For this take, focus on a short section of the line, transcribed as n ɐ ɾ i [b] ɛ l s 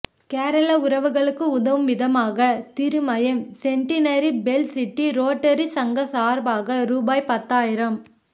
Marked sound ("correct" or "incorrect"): correct